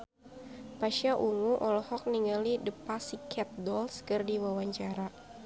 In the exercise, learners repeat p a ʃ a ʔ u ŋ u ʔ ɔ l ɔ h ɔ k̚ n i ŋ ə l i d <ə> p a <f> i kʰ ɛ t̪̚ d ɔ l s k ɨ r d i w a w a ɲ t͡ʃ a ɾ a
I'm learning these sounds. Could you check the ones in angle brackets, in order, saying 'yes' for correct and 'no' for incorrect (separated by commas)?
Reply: yes, no